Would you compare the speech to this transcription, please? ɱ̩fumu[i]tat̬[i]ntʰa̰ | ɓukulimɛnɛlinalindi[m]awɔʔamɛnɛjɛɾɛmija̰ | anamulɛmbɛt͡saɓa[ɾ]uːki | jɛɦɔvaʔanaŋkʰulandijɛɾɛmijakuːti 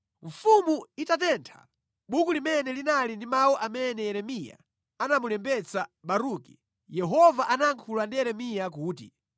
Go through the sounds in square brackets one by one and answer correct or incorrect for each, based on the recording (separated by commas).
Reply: correct, incorrect, correct, correct